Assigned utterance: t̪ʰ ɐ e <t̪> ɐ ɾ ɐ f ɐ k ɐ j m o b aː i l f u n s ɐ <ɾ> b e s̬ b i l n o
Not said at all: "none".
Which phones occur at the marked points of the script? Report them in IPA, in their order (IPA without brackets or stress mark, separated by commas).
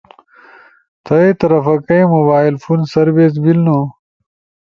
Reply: t̪, ɾ